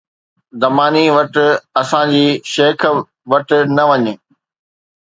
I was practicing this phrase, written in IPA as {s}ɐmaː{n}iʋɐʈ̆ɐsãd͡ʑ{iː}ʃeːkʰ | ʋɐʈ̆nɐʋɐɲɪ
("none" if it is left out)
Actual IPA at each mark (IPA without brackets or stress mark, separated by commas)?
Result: z, n, iː